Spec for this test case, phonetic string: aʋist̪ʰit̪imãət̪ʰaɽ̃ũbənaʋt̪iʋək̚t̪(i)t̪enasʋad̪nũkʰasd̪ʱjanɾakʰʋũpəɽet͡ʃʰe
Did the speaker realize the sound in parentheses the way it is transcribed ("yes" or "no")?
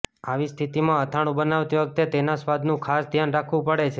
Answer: no